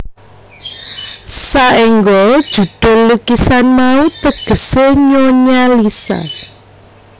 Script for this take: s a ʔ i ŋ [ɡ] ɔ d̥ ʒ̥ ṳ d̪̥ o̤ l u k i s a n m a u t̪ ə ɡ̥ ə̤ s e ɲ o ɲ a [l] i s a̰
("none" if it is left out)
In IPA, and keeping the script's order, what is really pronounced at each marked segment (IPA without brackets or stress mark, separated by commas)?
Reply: ɡ, l